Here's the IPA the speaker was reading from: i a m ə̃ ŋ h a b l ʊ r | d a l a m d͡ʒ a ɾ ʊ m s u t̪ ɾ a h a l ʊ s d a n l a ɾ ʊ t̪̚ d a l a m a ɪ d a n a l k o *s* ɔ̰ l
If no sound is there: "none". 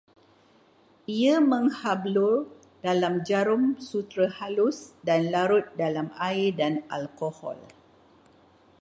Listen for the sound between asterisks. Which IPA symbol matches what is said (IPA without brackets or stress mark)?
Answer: h